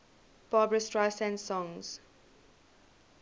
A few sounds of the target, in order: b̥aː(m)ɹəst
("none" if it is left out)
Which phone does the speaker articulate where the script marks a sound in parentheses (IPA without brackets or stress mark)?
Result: b